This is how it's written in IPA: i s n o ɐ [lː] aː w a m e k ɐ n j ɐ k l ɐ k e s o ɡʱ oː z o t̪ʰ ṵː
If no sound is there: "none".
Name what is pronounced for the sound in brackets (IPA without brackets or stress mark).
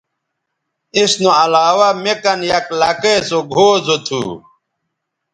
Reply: l